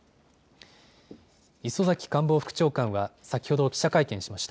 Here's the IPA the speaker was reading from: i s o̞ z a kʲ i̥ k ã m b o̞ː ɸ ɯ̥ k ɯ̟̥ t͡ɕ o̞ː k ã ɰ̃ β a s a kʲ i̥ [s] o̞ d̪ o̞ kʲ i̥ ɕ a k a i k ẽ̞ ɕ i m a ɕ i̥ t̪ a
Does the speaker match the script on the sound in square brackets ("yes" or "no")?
no